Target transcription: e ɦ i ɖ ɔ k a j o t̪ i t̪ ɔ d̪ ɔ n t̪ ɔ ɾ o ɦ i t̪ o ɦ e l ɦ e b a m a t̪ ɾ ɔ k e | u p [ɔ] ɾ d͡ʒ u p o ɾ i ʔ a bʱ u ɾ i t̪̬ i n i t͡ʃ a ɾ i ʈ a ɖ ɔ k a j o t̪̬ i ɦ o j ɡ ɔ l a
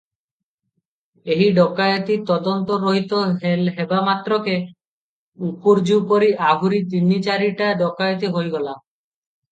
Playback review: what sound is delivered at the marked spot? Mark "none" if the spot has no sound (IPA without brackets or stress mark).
u